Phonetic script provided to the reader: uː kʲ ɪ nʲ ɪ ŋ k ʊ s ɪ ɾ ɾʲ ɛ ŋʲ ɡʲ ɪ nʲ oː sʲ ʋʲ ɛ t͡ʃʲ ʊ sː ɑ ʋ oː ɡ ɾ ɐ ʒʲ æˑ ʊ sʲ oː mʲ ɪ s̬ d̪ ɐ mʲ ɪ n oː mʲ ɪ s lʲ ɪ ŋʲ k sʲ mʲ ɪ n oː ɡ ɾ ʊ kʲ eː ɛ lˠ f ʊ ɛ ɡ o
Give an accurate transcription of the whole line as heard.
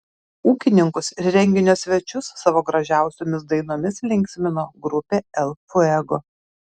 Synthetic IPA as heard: uː kʲ ɪ nʲ ɪ ŋ k ʊ s ɪ ɾ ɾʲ ɛ ŋʲ ɡʲ ɪ nʲ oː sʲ ʋʲ ɛ t͡ʃʲ ʊ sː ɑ ʋ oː ɡ ɾ ɐ ʒʲ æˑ ʊ sʲ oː mʲ ɪ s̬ d̪ ɐ ɪ n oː mʲ ɪ s lʲ ɪ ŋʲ k sʲ mʲ ɪ n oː ɡ ɾ ʊ pʲ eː ɛ lˠ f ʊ ɛ ɡ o